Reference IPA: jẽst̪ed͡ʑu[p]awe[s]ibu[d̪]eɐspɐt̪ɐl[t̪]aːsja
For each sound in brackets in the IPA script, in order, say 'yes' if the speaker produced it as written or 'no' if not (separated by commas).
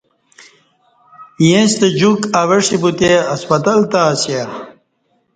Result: no, no, no, yes